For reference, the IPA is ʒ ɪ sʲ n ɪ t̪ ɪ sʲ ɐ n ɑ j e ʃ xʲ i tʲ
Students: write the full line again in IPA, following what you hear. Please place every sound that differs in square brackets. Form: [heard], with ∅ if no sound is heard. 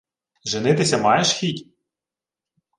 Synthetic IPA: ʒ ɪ [∅] n ɪ t̪ ɪ sʲ ɐ [m] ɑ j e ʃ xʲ i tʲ